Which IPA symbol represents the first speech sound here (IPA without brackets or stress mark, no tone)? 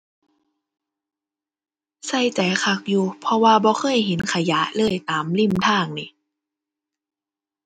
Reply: s